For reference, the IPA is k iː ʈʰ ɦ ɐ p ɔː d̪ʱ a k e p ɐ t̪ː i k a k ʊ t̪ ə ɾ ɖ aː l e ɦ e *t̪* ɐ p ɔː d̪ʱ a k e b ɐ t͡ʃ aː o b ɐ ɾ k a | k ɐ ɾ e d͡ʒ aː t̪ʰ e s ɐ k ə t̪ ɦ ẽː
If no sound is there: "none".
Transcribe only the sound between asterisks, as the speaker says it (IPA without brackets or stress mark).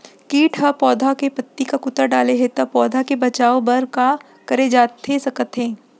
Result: t̪